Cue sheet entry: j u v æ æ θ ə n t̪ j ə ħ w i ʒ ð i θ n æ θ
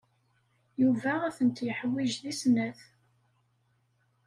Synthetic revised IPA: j u v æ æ θ ə n t̪ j ə ħ w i ʒ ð i s n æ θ